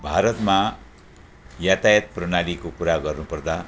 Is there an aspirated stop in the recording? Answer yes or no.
no